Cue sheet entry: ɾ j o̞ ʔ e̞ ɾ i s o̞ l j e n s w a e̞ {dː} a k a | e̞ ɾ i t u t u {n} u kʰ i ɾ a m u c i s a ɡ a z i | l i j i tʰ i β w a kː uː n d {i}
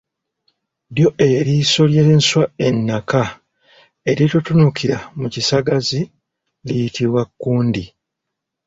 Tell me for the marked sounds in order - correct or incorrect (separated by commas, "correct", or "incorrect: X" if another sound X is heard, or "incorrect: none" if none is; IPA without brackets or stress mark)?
incorrect: nː, correct, correct